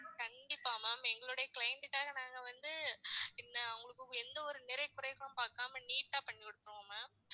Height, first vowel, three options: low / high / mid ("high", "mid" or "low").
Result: low